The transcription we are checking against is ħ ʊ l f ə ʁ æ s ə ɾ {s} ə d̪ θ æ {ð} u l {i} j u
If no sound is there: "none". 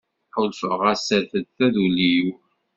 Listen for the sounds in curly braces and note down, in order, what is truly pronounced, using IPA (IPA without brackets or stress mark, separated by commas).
θ, ð, i